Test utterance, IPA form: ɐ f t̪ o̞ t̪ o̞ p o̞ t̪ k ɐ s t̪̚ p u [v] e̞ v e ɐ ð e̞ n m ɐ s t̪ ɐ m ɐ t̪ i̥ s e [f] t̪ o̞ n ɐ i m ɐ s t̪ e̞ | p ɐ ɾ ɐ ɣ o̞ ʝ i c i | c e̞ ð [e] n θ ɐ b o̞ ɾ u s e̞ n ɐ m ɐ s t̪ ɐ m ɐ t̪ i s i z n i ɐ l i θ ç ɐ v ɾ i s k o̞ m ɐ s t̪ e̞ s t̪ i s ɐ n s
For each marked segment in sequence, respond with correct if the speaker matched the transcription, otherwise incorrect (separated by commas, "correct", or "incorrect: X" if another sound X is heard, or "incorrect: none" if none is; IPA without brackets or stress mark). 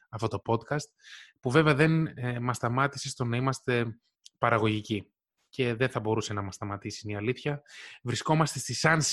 correct, incorrect: s, correct